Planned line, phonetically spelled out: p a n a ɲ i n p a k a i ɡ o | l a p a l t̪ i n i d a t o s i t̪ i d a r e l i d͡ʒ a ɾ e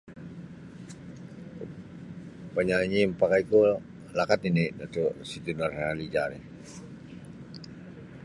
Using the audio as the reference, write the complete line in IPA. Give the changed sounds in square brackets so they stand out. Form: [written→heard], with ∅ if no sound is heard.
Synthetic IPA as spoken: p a [n→ɲ] a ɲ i [n→m] p a k a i [ɡ→k] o | l a [p→k] a [l→∅] t̪ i n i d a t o s i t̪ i [d→n] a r [e→a] l i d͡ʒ a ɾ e